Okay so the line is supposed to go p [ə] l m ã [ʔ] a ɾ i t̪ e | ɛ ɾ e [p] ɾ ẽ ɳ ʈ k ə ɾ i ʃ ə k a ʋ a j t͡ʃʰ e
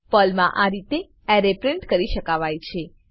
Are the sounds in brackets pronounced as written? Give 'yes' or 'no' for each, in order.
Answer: yes, yes, yes

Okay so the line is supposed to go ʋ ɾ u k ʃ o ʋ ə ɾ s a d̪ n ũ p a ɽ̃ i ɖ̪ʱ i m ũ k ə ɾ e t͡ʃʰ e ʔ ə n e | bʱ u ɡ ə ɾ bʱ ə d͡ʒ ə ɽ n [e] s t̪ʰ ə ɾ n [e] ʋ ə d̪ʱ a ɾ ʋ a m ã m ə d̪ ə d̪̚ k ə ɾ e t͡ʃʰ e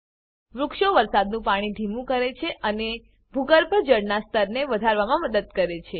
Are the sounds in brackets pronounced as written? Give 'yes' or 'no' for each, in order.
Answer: no, yes

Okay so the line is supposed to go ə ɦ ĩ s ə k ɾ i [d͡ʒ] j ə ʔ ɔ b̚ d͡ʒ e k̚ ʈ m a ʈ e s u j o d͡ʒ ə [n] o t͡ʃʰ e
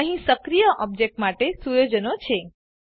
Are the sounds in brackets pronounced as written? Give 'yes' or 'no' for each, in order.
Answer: no, yes

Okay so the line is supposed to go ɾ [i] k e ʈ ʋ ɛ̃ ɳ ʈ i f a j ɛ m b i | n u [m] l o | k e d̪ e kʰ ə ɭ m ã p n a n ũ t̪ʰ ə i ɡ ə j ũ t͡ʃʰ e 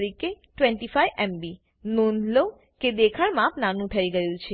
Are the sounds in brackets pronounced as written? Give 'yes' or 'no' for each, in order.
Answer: yes, no

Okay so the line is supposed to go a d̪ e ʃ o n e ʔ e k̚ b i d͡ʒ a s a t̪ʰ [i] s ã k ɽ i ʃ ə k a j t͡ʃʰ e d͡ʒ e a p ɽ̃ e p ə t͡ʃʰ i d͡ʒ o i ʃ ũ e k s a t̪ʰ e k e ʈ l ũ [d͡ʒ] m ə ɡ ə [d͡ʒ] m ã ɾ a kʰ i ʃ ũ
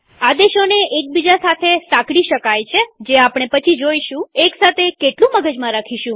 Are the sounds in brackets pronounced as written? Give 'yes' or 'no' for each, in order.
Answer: no, no, yes

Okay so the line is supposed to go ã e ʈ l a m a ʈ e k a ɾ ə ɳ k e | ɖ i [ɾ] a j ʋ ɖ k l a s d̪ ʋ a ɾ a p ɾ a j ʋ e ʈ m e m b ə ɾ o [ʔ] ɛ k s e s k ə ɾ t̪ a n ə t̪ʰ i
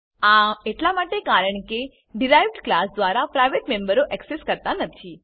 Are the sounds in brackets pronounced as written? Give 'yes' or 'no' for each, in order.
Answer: yes, yes

